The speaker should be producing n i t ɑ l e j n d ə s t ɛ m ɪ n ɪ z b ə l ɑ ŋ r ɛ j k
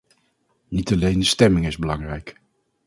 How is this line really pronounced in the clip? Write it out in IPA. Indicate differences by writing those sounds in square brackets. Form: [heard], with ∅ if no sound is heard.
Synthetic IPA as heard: n i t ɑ l e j n d ə s t ɛ m ɪ [ŋ] ɪ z b ə l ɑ ŋ r ɛ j k

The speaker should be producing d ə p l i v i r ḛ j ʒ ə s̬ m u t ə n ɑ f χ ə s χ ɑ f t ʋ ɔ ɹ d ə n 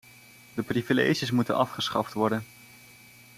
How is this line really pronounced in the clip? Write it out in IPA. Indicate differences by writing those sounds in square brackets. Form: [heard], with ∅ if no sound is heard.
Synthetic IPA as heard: d ə p [r] i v i [l] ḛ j ʒ ə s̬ m u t ə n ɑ f χ ə s χ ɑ f t ʋ ɔ ɹ d ə n

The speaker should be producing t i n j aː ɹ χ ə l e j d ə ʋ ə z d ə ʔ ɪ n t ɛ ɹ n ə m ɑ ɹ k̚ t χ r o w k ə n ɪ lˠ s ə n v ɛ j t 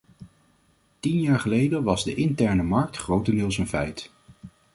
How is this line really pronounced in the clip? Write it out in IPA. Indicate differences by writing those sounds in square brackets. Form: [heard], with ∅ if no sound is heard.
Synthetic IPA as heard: t i n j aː ɹ χ ə l e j d ə ʋ [ɑ] z d ə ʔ ɪ n t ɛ ɹ n ə m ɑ ɹ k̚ t χ r o w [t] ə n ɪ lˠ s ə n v ɛ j t

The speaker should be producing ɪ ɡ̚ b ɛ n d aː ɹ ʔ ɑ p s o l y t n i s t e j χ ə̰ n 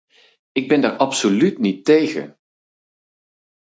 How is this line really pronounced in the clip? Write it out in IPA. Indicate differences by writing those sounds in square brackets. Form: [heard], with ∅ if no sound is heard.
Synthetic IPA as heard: ɪ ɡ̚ b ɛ n d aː ɹ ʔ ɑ p s o l y t n i [∅] t e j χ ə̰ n

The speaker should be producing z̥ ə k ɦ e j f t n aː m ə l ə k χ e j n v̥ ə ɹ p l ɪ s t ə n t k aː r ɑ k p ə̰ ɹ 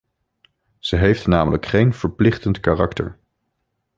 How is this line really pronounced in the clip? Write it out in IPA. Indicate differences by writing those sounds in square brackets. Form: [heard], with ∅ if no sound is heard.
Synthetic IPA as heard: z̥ ə [∅] ɦ e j f t n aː m ə l ə k χ e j n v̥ ə ɹ p l ɪ [χ] t ə n t k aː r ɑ k [t] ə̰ ɹ

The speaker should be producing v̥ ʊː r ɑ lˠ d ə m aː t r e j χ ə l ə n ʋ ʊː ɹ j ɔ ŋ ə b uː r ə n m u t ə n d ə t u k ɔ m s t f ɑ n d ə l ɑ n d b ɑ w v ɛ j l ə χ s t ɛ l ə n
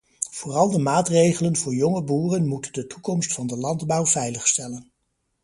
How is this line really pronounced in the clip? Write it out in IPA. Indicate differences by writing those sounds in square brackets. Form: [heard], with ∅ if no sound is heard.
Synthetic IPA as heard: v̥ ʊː r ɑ lˠ d ə m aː t r e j χ ə l ə n [v] ʊː ɹ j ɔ ŋ ə b uː r ə n m u t ə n d ə t u k ɔ m s t f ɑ n d ə l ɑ n d b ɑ w v ɛ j l ə χ s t ɛ l ə n

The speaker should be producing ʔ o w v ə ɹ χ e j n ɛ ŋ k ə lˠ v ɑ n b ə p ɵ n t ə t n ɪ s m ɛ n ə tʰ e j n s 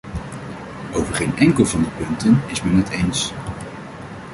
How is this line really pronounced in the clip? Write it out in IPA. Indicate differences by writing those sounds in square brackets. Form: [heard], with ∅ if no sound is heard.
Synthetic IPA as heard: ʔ o w v ə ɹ χ e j n ɛ ŋ k ə lˠ v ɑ n [d] ə p ɵ n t ə [∅] n ɪ s m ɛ n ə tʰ e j n s

